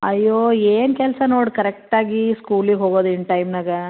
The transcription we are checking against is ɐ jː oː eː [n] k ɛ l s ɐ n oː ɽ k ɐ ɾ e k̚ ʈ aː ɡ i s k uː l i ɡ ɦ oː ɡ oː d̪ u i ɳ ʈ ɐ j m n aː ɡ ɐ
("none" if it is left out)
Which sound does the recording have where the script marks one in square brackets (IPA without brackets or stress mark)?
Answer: n